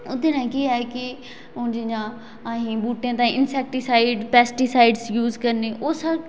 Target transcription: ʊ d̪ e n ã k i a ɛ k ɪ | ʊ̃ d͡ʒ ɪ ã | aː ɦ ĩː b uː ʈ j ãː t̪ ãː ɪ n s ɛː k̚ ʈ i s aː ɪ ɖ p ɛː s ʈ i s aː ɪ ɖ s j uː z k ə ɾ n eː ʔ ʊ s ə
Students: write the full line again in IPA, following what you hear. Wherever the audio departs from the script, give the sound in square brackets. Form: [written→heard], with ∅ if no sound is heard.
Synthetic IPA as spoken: ʊ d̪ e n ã k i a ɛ k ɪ | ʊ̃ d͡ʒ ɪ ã | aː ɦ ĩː b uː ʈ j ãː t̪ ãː ɪ n s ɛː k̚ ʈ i s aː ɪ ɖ p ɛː s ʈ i s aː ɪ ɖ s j uː z k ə ɾ n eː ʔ ʊ s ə